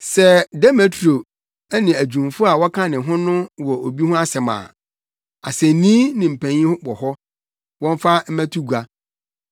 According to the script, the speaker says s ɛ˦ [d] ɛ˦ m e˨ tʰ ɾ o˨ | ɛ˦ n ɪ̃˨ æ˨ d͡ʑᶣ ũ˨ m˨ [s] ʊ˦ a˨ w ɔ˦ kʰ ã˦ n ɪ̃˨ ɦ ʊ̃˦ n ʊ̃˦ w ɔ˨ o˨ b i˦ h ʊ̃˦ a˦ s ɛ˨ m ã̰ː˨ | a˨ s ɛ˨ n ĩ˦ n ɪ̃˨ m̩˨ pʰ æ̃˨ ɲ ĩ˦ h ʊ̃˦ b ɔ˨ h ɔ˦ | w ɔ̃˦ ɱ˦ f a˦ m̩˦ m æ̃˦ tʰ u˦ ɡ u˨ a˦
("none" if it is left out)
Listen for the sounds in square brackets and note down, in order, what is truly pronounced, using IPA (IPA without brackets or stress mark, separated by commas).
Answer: d, f